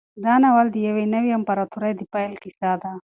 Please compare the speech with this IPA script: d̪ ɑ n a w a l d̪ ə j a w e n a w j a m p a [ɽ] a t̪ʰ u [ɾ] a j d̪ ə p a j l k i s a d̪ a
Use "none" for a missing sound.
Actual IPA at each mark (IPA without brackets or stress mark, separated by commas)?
ɾ, ɾ